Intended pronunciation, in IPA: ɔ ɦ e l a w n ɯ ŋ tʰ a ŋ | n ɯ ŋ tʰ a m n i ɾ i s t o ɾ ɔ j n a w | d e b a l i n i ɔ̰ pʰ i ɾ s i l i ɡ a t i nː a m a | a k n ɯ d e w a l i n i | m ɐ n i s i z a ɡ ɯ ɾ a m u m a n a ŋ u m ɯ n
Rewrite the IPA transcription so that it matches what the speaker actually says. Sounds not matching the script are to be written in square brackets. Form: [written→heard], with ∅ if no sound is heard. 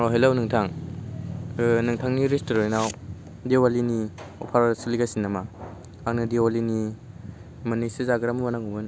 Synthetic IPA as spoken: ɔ ɦ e l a w n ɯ ŋ tʰ a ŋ | n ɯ ŋ tʰ a [m→ŋ] n i ɾ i s t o ɾ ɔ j n a w | d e [b→w] a l i n i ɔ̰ pʰ [i→a] ɾ s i l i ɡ a [t→s] i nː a m a | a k n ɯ d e w a l i n i | m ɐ n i s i z a ɡ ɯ ɾ a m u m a n a ŋ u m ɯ n